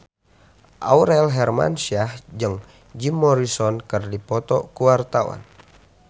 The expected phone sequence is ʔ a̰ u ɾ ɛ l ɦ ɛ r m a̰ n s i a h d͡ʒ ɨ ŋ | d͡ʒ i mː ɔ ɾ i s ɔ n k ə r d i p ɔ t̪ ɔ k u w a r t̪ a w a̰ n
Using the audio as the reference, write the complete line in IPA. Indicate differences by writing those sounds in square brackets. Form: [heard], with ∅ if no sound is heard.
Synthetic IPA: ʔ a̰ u ɾ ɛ l ɦ ɛ r m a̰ n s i a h d͡ʒ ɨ ŋ | d͡ʒ i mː ɔ ɾ i s ɔ n k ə r d i p ɔ t̪ ɔ k u w a r t̪ a w a̰ n